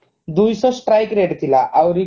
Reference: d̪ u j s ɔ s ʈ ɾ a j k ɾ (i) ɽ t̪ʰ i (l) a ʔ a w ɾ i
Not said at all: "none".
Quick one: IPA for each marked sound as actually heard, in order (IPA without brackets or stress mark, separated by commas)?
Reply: e, l